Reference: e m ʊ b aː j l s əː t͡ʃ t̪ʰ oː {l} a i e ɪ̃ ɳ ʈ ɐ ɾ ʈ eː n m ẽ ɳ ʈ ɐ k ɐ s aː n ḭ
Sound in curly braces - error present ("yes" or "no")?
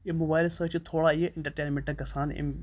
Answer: yes